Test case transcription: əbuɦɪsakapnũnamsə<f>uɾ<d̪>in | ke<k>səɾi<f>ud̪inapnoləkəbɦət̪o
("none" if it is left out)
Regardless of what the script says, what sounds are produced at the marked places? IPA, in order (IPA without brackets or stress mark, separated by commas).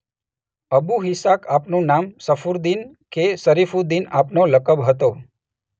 f, d̪, none, f